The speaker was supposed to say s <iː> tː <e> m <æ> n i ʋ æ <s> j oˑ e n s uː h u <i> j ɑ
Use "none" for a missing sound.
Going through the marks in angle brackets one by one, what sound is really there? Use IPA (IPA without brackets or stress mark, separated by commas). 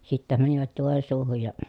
i, æ, æ, t, j